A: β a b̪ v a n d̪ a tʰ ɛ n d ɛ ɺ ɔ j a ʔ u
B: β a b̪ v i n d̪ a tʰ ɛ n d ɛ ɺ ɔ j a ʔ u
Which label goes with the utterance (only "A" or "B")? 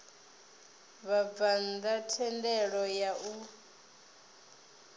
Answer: A